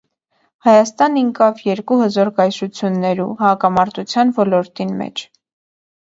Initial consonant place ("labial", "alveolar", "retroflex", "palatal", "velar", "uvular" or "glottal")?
glottal